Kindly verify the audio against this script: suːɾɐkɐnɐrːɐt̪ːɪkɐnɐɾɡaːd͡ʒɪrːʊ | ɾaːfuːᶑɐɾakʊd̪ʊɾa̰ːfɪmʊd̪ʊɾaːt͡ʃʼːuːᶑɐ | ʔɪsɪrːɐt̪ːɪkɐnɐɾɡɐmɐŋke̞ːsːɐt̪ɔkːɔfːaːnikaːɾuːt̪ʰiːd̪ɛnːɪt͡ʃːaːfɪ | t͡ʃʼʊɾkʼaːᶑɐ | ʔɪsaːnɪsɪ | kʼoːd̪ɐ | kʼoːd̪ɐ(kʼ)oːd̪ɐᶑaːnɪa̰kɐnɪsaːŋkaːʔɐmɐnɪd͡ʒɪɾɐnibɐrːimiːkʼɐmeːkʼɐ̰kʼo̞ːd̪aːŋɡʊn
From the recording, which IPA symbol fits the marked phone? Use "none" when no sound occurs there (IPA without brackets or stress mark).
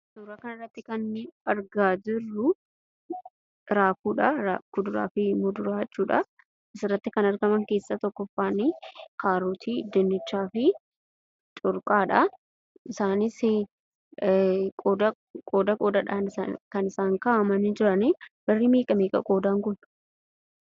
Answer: kʼ